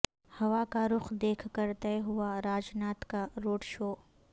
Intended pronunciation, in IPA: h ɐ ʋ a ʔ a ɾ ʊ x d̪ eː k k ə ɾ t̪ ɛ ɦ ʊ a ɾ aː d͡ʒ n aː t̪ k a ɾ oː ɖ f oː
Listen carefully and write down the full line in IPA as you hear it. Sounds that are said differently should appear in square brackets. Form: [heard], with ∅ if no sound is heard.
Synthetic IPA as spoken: h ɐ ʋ a [k] a ɾ ʊ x d̪ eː [kʰ] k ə ɾ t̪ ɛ ɦ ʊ a ɾ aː d͡ʒ n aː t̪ k a ɾ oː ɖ [ʃ] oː